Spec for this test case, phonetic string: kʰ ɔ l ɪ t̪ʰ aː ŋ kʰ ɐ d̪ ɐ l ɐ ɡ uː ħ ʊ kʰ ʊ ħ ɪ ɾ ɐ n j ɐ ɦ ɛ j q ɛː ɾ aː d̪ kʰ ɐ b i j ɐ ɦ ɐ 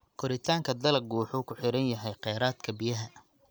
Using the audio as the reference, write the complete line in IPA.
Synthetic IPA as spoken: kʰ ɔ ɾ ɪ t̪ʰ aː ŋ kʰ ɐ d̪ ɐ l ɐ ɡ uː ħ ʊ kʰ ʊ ħ ɪ ɾ ɐ n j ɐ ɦ ɛ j q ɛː ɾ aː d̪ kʰ ɐ b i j ɐ ɦ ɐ